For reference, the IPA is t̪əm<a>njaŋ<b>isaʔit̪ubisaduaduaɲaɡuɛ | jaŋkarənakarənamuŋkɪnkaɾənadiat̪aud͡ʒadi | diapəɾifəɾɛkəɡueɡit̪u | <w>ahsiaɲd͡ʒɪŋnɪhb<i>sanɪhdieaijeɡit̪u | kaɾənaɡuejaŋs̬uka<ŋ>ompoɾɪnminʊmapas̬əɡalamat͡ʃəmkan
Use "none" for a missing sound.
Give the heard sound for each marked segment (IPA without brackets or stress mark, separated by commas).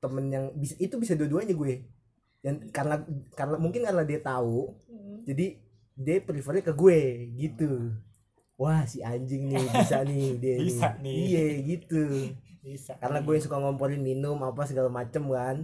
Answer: ə, b, w, i, ŋ